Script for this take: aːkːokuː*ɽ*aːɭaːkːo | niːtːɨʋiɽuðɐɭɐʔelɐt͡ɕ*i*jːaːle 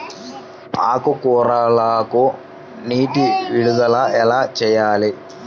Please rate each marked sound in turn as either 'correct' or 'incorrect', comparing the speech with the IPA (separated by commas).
incorrect, incorrect